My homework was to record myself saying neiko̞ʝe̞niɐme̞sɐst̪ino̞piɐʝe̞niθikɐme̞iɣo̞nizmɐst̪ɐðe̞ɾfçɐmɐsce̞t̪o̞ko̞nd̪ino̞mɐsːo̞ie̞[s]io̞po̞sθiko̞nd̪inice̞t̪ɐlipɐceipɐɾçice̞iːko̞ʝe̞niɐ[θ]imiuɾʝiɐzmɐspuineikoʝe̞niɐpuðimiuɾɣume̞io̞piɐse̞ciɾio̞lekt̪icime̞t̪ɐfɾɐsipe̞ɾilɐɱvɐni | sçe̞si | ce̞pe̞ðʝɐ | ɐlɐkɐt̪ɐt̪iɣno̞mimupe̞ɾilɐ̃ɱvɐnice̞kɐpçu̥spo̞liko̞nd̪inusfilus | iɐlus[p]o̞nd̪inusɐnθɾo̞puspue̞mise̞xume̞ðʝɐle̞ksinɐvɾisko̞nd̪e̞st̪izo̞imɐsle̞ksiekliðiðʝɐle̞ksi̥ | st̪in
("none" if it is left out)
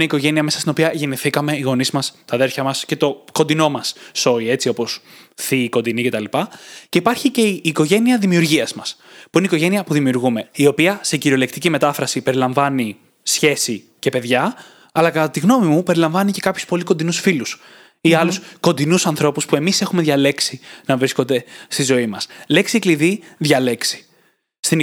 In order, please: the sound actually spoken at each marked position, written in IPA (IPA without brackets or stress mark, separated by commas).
t͡s, ð, k